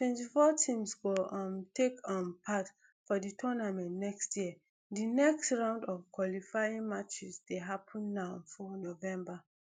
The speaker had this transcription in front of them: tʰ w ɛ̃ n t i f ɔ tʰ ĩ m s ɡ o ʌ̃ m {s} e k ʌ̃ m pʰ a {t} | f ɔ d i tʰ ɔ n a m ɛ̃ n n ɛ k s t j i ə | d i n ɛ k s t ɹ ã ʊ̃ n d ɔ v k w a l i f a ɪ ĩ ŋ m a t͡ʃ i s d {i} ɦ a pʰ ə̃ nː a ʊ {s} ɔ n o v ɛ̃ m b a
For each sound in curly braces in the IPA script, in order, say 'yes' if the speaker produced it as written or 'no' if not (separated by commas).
no, yes, no, no